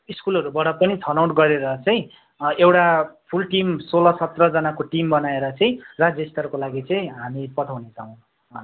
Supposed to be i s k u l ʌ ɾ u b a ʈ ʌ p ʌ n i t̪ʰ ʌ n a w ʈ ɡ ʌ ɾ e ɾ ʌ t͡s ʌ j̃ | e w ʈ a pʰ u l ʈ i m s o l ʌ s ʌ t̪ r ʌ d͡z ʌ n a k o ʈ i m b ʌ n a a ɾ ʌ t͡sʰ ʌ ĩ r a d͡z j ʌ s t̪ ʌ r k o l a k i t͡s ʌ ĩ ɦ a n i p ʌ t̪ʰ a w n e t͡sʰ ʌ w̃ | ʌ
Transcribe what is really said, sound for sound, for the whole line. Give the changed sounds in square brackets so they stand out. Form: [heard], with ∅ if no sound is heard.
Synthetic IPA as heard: i s k u l ʌ ɾ u b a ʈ ʌ p ʌ n i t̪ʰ ʌ n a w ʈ ɡ ʌ ɾ e ɾ ʌ t͡s ʌ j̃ | e w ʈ a pʰ u l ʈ i m s o l ʌ s ʌ t̪ r ʌ d͡z ʌ n a k o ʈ i m b ʌ n a [e] ɾ ʌ [t͡s] ʌ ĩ r a d͡z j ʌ s t̪ ʌ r k o l a [ɡ] i t͡s ʌ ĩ ɦ a [m] i p ʌ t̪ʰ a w n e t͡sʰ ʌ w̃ | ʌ